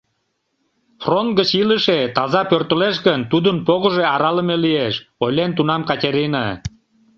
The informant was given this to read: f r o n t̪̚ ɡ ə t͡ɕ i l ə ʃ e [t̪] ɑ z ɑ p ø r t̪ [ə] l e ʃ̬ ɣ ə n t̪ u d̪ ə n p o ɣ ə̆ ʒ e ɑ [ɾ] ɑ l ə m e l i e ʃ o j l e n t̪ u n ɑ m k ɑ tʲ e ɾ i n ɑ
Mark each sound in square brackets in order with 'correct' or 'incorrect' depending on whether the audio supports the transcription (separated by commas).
correct, correct, correct